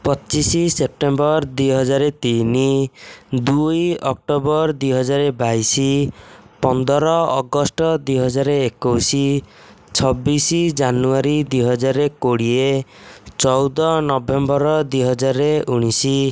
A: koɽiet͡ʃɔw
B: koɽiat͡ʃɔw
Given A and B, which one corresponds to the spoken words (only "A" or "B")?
A